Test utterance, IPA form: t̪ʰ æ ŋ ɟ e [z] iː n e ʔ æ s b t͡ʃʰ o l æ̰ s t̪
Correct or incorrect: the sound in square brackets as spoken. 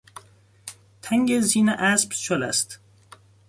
correct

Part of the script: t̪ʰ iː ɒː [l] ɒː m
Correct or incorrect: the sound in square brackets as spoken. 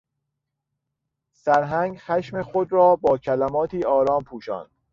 incorrect: ɾ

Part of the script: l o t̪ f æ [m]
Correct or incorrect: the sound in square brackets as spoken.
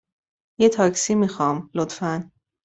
incorrect: n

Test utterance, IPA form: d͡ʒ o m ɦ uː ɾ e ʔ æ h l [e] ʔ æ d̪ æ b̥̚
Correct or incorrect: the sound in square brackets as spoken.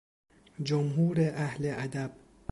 correct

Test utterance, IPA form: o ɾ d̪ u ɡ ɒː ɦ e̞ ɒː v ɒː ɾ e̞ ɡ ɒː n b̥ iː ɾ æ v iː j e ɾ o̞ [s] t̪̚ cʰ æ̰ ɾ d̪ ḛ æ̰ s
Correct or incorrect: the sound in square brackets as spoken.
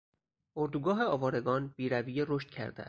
incorrect: ʃ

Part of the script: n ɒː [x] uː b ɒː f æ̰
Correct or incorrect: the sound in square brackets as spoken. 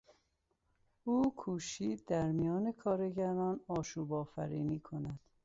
incorrect: ʃ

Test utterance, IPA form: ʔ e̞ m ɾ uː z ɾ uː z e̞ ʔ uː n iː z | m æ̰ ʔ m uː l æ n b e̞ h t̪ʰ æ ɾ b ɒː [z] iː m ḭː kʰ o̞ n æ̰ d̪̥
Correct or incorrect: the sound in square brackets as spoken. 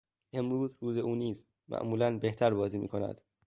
correct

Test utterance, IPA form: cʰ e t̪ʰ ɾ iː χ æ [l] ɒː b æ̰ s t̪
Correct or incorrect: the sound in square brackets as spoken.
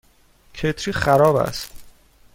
incorrect: ɾ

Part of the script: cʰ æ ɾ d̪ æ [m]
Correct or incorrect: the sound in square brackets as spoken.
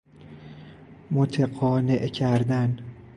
incorrect: n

